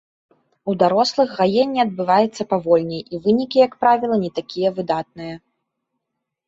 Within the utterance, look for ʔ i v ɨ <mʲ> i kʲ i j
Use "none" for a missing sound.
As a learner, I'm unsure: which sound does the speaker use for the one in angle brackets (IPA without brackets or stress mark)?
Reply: nʲ